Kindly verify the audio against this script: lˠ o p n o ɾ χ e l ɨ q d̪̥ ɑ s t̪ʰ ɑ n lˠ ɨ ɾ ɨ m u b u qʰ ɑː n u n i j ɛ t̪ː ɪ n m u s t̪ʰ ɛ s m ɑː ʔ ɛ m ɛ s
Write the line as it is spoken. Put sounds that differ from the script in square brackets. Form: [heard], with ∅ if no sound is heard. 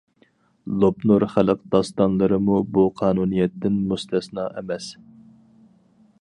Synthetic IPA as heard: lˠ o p n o ɾ χ [æ] l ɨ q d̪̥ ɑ s [t̪] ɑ n lˠ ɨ ɾ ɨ m u b u qʰ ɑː n u n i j ɛ t̪ː ɪ n m u s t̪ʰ ɛ s [n] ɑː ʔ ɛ m ɛ s